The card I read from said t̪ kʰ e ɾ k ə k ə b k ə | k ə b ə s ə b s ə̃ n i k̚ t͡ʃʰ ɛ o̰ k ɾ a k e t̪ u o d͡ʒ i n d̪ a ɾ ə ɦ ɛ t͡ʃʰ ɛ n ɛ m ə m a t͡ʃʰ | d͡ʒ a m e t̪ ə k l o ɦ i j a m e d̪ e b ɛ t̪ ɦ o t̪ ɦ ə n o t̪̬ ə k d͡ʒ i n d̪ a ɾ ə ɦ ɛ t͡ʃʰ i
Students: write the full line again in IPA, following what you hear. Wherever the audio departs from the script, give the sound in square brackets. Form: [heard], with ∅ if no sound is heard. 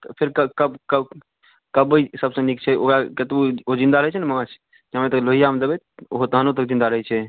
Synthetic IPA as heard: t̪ [pʰ] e ɾ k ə k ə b k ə | k ə b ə s ə b s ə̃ n i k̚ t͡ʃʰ ɛ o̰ k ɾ a k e t̪ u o d͡ʒ i n d̪ a ɾ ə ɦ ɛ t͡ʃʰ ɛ n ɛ m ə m a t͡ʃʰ | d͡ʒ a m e t̪ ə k l o ɦ i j a m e d̪ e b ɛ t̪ ɦ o t̪ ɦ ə n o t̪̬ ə k d͡ʒ i n d̪ a ɾ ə ɦ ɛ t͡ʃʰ [ɛ]